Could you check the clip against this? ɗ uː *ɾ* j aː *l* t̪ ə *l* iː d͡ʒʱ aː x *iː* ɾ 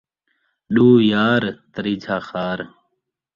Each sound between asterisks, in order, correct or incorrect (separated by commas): incorrect, incorrect, incorrect, incorrect